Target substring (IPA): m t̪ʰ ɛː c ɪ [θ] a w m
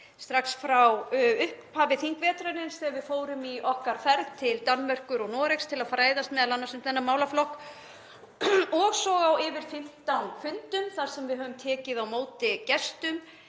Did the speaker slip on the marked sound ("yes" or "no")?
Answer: yes